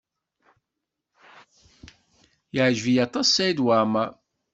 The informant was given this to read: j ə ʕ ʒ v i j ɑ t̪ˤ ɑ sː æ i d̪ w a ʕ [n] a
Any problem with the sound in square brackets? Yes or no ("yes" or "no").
yes